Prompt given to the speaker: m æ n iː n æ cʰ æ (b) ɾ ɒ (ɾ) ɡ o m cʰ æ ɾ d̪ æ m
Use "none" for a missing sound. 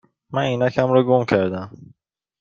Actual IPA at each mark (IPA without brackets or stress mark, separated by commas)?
m, none